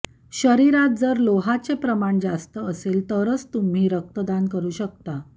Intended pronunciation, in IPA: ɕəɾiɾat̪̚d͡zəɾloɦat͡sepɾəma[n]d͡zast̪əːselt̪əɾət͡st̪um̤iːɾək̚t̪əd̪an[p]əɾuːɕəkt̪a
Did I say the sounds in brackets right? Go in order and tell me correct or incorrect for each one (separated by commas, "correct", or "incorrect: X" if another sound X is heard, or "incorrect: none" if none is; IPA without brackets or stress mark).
incorrect: ɳ, incorrect: k